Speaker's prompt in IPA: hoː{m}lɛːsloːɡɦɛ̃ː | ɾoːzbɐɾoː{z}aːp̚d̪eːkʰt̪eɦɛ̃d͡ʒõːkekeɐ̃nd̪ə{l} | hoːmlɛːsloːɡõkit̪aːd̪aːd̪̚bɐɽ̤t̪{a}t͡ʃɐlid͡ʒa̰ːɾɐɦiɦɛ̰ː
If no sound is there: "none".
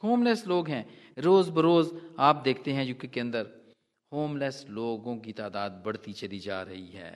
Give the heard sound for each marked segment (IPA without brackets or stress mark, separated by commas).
m, z, ɾ, i